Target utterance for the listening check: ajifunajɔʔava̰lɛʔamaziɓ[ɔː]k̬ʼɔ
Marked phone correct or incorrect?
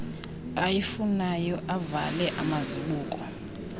incorrect